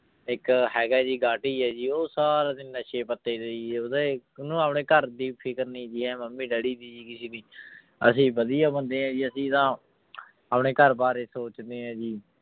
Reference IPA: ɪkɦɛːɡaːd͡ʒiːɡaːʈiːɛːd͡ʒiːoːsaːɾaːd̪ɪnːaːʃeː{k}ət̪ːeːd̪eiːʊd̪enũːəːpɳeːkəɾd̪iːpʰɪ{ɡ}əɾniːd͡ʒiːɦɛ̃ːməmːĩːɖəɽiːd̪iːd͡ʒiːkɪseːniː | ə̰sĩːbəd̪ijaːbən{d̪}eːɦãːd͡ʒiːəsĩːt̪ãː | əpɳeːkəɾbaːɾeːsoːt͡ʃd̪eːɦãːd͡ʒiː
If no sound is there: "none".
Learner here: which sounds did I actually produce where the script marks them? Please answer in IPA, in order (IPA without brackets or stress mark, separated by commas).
p, k, d̪